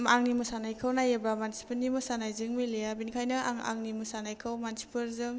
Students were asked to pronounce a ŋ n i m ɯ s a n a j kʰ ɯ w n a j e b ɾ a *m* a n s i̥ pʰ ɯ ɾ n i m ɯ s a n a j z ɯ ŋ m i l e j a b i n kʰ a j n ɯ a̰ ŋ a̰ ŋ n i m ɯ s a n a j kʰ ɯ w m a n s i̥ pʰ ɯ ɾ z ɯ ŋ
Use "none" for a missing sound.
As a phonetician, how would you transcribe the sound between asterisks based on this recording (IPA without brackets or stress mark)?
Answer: m